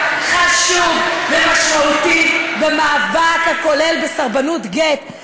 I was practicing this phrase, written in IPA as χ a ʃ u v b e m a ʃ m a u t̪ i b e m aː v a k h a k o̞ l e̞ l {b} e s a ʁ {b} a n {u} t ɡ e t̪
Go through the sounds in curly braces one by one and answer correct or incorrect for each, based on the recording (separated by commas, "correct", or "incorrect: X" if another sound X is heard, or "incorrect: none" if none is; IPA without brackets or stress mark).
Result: correct, correct, correct